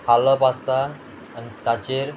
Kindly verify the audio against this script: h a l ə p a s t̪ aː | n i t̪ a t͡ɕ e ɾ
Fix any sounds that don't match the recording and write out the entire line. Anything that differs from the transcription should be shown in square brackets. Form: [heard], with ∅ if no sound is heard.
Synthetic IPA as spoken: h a l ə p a s t̪ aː | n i t̪ a t͡ɕ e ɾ